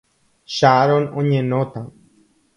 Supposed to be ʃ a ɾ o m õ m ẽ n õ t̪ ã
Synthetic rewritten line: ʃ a ɾ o n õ ɲ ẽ n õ t̪ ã